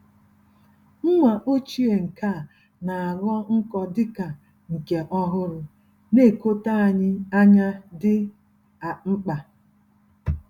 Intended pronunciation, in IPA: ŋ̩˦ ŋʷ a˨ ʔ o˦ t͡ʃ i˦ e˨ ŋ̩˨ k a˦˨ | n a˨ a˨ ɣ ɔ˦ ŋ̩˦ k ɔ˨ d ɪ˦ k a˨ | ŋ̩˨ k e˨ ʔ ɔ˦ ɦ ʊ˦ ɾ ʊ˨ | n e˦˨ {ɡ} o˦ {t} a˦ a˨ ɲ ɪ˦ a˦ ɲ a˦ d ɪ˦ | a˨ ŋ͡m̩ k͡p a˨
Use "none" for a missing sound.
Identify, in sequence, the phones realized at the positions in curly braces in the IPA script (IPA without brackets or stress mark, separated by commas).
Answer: k, t